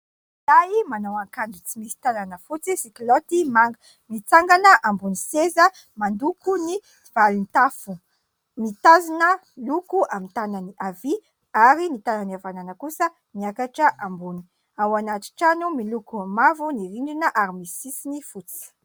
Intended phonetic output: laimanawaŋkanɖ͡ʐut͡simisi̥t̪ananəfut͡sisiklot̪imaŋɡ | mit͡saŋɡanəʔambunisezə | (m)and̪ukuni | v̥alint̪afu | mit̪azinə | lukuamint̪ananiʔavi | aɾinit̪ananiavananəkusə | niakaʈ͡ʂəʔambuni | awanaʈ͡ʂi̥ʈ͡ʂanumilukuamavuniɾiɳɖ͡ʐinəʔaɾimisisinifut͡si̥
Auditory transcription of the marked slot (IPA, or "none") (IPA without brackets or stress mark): m